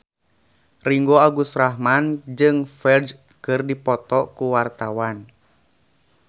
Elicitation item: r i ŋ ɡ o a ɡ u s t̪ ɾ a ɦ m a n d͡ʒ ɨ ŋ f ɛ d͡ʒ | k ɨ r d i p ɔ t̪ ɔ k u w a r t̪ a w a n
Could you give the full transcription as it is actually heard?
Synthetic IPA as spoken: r i ŋ ɡ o a ɡ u s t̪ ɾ a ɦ m a n d͡ʒ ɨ ŋ f ɛ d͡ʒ | k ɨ r d i p ɔ t̪ ɔ k u w a r t̪ a w a n